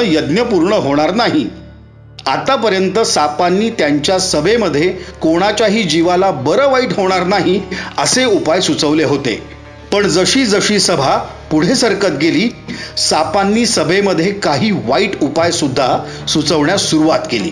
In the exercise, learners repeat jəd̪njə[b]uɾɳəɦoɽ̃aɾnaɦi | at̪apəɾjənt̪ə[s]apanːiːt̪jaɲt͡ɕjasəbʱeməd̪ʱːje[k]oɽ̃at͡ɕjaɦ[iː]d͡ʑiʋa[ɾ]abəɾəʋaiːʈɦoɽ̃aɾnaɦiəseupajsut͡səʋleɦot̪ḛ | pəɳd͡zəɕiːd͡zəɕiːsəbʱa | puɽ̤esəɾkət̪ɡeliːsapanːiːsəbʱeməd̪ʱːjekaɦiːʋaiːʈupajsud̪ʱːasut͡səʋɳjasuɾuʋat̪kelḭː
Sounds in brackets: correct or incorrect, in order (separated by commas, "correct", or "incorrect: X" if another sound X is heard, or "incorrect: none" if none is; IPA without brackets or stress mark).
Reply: incorrect: p, correct, correct, correct, incorrect: l